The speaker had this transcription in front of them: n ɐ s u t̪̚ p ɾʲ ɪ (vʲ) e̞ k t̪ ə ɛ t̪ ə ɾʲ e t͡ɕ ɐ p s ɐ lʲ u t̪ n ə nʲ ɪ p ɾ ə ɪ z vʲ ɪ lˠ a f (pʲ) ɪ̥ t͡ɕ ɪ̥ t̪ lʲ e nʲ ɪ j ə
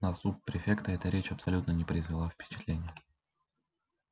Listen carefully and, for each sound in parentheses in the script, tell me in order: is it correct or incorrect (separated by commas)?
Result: incorrect, correct